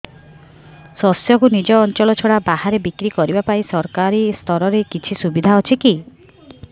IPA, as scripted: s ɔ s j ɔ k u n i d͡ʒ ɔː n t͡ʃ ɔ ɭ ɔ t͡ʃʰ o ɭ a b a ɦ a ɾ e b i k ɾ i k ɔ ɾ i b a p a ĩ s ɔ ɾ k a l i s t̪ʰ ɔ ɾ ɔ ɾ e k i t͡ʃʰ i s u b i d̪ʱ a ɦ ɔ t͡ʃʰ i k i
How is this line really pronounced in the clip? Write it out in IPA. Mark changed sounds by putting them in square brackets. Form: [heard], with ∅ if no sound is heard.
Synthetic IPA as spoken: s ɔ s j ɔ k u n i d͡ʒ ɔː n t͡ʃ ɔ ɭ ɔ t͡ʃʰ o [ɽ] a b a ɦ a ɾ e b i k ɾ i k ɔ ɾ i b a p a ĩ s ɔ ɾ k a [ɾ] i s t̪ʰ ɔ ɾ ɔ ɾ e k i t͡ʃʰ i s u b i d̪ʱ a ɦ ɔ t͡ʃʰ i k i